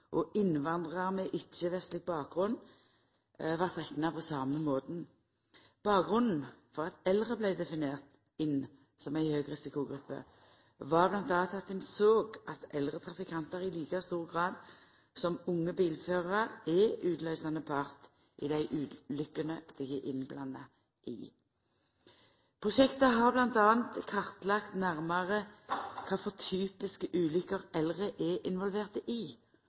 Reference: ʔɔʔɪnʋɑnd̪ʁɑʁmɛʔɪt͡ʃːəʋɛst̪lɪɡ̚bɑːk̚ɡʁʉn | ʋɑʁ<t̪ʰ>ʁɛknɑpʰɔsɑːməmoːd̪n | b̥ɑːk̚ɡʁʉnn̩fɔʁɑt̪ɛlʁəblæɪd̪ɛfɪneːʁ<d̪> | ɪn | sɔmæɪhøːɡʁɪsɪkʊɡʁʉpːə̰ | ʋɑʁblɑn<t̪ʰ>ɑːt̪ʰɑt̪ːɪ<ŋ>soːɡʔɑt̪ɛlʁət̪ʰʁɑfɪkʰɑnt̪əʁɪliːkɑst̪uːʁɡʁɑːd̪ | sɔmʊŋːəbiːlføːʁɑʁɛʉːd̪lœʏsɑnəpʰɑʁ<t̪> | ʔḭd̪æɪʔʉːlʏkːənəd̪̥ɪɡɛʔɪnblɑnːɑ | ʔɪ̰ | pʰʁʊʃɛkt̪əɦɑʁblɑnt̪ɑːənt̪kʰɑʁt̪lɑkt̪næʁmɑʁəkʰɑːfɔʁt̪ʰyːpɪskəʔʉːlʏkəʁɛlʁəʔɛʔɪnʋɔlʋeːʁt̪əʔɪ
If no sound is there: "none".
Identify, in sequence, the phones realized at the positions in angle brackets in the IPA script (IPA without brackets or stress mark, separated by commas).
t̪, t̪, t̪, n, t̪